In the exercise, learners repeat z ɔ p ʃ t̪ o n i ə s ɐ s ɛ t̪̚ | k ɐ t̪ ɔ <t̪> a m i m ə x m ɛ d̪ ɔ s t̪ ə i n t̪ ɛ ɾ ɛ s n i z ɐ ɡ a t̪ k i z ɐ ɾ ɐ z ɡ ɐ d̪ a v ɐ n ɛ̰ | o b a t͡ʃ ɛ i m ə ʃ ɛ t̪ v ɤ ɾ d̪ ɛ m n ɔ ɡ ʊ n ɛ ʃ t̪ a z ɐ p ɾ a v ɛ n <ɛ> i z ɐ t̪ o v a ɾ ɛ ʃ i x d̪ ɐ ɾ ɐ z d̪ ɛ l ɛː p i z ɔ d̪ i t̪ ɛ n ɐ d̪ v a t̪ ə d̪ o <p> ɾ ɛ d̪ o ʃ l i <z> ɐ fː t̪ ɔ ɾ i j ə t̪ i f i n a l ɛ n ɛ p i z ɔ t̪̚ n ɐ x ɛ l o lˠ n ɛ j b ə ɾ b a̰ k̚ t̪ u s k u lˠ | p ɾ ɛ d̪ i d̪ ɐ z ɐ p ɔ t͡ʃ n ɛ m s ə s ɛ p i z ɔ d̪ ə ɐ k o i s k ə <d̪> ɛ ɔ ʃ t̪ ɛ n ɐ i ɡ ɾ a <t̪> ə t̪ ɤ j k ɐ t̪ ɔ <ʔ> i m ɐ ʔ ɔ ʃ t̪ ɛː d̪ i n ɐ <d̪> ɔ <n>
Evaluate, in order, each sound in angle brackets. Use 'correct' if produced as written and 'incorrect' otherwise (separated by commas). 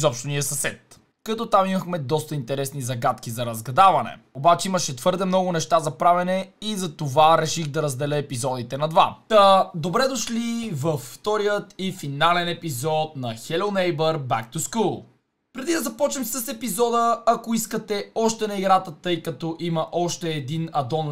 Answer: correct, correct, incorrect, incorrect, incorrect, correct, correct, correct, correct